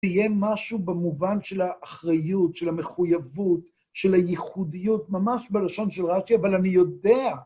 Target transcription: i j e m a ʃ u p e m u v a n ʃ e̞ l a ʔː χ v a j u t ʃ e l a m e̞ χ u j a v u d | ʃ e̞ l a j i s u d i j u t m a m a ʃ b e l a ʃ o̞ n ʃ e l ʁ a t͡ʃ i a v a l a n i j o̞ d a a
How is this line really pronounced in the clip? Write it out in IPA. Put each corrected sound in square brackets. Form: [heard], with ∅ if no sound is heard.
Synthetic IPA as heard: i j e m a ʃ u [b] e m u v a n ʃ e̞ l a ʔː χ [ʁ] a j u t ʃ e l a m e̞ χ u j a v u [t] | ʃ e̞ l a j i [χ] u d i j u t m a m a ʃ b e l a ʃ o̞ n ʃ e l ʁ a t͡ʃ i a v a l a n i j o̞ d [e] a